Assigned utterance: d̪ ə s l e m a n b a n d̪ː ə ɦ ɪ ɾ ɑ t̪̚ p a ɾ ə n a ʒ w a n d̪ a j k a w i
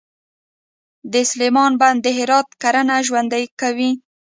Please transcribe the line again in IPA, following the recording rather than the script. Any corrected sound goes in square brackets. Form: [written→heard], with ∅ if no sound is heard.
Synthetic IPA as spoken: d̪ ə s l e m [a→ɑ] n b a n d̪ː ə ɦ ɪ ɾ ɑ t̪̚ [p→k] a ɾ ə n a ʒ w a n d̪ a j k a w i